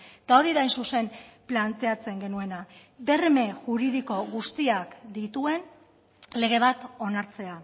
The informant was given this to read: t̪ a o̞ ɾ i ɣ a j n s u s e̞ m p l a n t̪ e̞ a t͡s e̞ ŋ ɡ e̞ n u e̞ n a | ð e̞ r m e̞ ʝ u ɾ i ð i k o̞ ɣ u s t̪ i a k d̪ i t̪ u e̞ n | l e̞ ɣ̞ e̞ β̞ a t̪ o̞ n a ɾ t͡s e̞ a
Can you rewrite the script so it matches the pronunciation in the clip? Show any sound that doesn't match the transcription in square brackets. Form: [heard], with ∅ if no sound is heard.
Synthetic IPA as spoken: t̪ a o̞ ɾ i [ð] a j n s u s e̞ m p l a n t̪ e̞ a t͡s e̞ ŋ ɡ e̞ n u e̞ n a | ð e̞ r m e̞ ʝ u ɾ i ð i k o̞ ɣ u s t̪ i a k d̪ i t̪ u e̞ n | l e̞ ɣ̞ e̞ β̞ a t̪ o̞ n a ɾ t͡s e̞ a

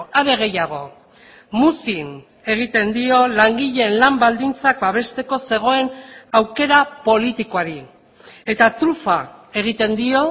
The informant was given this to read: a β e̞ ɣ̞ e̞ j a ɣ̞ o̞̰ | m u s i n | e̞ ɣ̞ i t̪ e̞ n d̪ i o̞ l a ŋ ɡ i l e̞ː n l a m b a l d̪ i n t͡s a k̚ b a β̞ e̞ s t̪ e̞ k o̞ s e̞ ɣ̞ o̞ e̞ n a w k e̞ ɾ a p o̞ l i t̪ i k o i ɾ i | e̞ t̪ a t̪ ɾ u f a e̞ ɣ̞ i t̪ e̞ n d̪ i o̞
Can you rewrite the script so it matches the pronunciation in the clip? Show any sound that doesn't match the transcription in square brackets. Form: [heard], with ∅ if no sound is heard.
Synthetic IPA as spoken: a β e̞ ɣ̞ e̞ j a ɣ̞ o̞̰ | m u s i n | e̞ ɣ̞ i t̪ e̞ n d̪ i o̞ l a ŋ ɡ i [ʎ] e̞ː n l a m b a l d̪ i n t͡s a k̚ b a β̞ e̞ s t̪ e̞ k o̞ s e̞ ɣ̞ o̞ e̞ n a w k e̞ ɾ a p o̞ l i t̪ i k o [a] ɾ i | e̞ t̪ a t̪ ɾ u f a e̞ ɣ̞ i t̪ e̞ n d̪ i o̞

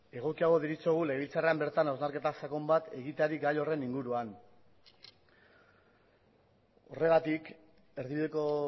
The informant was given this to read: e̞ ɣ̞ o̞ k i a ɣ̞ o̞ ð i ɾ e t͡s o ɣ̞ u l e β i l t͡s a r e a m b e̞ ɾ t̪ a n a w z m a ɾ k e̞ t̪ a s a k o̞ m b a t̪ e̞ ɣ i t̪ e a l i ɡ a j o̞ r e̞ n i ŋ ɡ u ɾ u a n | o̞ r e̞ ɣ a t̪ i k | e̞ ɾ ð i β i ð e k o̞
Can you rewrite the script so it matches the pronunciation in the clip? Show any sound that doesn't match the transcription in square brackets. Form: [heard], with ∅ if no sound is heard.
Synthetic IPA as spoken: e̞ ɣ̞ o̞ k i a ɣ̞ o̞ ð i ɾ [i] t͡s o ɣ̞ u l e β i l t͡s a r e a m b e̞ ɾ t̪ a n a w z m a ɾ k e̞ t̪ a s a k o̞ m b a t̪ e̞ ɣ i t̪ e a [ɾ] i ɡ a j o̞ r e̞ n i ŋ ɡ u ɾ u a n | o̞ r e̞ ɣ a t̪ i k | e̞ ɾ ð i β i ð e k o̞

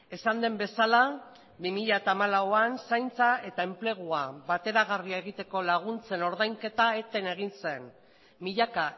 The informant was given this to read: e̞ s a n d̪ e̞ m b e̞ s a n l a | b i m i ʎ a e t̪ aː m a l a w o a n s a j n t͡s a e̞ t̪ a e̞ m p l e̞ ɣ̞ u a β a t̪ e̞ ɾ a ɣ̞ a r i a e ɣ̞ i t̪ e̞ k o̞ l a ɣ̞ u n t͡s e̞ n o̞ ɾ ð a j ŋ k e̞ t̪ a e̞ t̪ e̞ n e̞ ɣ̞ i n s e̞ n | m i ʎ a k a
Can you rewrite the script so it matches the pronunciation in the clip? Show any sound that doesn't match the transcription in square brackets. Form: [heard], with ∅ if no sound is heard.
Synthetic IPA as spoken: e̞ s a n d̪ e̞ m b e̞ s a [∅] l a | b i m i ʎ a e t̪ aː m a l a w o a n s a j n t͡s a e̞ t̪ a e̞ m p l e̞ ɣ̞ u a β a t̪ e̞ ɾ a ɣ̞ a r i a e ɣ̞ i t̪ e̞ k o̞ l a ɣ̞ u n t͡s e̞ n o̞ ɾ ð a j ŋ k e̞ t̪ a e̞ t̪ e̞ n e̞ ɣ̞ i n s e̞ n | m i ʎ a k a

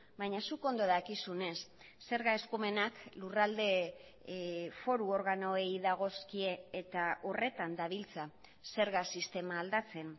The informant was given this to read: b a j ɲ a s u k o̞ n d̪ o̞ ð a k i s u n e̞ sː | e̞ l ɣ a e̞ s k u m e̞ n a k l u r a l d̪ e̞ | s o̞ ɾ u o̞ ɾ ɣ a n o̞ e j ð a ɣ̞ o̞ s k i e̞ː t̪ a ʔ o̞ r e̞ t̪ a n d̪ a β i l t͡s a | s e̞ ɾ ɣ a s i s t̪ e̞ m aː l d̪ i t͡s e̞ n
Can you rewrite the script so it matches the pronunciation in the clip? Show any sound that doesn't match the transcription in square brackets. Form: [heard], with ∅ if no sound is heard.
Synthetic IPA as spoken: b a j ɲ a s u k o̞ n d̪ o̞ ð a k i s u n e̞ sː | e̞ [ɾ] ɣ a e̞ s k u m e̞ n a k l u r a l d̪ e̞ | [f] o̞ ɾ u o̞ ɾ ɣ a n o̞ e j ð a ɣ̞ o̞ s k i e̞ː t̪ a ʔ o̞ r e̞ t̪ a n d̪ a β i l t͡s a | s e̞ ɾ ɣ a s i s t̪ e̞ m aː l d̪ [a] t͡s e̞ n

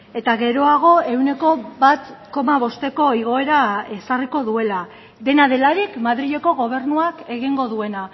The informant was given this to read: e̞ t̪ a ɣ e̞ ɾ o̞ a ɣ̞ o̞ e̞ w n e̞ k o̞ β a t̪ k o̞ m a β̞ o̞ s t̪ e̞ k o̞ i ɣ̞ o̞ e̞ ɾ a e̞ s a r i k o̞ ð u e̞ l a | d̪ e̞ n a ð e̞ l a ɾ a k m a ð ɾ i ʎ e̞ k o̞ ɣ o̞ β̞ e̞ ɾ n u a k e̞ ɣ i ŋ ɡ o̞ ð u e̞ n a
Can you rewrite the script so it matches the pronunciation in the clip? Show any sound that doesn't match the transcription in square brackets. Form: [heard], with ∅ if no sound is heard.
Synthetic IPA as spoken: e̞ t̪ a ɣ e̞ ɾ o̞ a ɣ̞ o̞ e̞ w n e̞ k o̞ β a t̪ k o̞ m a β̞ o̞ s t̪ e̞ k o̞ i ɣ̞ o̞ e̞ ɾ a e̞ s a r i k o̞ ð u e̞ l a | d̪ e̞ n a ð e̞ l a ɾ [i] k m a ð ɾ i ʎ e̞ k o̞ ɣ o̞ β̞ e̞ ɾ n u a k e̞ ɣ i ŋ ɡ o̞ ð u e̞ n a

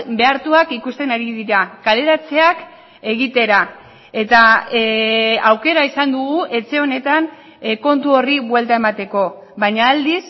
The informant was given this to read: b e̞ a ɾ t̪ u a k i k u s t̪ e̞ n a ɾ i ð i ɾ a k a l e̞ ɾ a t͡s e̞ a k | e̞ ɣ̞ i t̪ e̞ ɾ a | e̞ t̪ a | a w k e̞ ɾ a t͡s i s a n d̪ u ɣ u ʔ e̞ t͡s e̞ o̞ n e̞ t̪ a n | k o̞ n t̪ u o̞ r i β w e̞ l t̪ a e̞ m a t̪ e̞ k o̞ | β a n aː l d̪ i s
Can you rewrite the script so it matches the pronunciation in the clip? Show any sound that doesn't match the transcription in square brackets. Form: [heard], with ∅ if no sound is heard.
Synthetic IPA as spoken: b e̞ a ɾ t̪ u a k i k u s t̪ e̞ n a ɾ i ð i ɾ a k a l e̞ ɾ a t͡s e̞ a k | e̞ ɣ̞ i t̪ e̞ ɾ a | e̞ t̪ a | a w k e̞ ɾ a [∅] i s a n d̪ u ɣ u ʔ e̞ t͡s e̞ o̞ n e̞ t̪ a n | k o̞ n t̪ u o̞ r i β w e̞ l t̪ a e̞ m a t̪ e̞ k o̞ | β a [ɲ] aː l d̪ i s

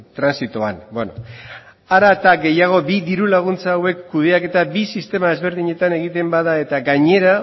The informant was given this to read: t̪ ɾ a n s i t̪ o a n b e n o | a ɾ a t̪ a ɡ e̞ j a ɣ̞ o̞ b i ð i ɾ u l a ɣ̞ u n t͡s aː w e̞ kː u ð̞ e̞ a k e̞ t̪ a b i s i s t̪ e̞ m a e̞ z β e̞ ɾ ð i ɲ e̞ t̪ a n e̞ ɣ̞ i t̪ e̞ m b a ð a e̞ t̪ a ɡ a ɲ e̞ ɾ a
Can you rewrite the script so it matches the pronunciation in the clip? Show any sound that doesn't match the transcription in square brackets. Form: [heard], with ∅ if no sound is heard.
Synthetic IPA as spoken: t̪ ɾ a n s i t̪ o a n b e n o | a ɾ a t̪ a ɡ e̞ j a ɣ̞ o̞ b i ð i ɾ u l a ɣ̞ u n t͡s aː w e̞ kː u ð̞ e̞ a k e̞ t̪ a b i s i s t̪ e̞ m a e̞ z β e̞ ɾ ð i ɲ e̞ t̪ a n e̞ ɣ̞ i t̪ e̞ m b a ð a e̞ t̪ a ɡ a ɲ e̞ ɾ a

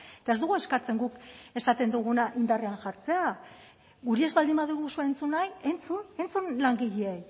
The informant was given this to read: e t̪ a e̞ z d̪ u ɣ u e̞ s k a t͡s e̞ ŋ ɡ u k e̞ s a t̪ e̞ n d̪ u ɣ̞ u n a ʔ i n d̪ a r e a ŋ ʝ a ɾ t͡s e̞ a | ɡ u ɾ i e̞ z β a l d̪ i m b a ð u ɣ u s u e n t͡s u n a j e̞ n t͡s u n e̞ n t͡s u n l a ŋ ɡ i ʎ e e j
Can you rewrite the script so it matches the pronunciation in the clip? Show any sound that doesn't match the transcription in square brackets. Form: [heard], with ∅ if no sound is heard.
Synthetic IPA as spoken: e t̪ a e̞ z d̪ u ɣ u e̞ s k a t͡s e̞ ŋ ɡ u k e̞ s a t̪ e̞ n d̪ u ɣ̞ u n a ʔ i n d̪ a r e a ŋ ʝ a ɾ t͡s e̞ a | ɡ u ɾ i e̞ z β a l d̪ i m b a ð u ɣ u s u e n t͡s u n a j e̞ n t͡s u n e̞ n t͡s u n l a ŋ ɡ i ʎ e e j

